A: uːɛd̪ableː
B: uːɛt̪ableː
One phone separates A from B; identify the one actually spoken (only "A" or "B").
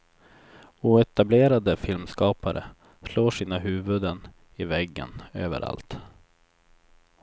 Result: B